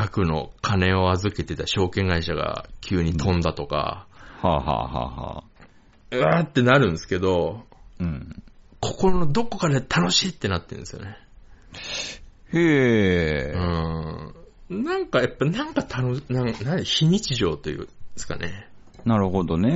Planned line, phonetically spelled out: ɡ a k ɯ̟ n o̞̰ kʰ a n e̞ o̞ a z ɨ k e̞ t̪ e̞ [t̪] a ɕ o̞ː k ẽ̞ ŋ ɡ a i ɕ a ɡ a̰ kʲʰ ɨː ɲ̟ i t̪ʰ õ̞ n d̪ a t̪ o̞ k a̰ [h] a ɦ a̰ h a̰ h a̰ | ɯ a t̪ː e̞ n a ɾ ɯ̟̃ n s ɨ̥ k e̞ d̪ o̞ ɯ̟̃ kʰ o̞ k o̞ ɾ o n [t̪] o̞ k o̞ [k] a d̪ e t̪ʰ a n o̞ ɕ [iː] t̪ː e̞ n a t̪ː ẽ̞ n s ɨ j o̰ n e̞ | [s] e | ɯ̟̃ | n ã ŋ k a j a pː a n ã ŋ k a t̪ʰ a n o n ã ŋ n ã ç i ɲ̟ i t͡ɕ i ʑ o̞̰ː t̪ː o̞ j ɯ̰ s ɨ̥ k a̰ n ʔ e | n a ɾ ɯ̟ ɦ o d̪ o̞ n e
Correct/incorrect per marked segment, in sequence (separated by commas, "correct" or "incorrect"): correct, correct, incorrect, correct, correct, incorrect